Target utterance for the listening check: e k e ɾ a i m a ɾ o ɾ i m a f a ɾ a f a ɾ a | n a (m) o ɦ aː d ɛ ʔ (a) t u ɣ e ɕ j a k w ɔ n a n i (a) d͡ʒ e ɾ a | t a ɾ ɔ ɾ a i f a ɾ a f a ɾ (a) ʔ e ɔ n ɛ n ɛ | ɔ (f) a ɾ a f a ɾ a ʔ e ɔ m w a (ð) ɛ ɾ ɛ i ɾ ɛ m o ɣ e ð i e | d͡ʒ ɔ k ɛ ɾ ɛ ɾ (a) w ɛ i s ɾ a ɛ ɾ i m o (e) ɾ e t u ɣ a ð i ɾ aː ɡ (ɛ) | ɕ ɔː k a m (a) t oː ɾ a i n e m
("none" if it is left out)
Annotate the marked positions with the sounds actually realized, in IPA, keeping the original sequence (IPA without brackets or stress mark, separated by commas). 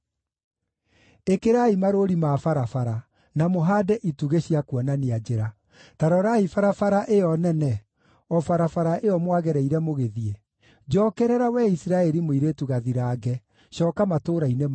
m, i, a, a, f, ɣ, a, i, ɛ, a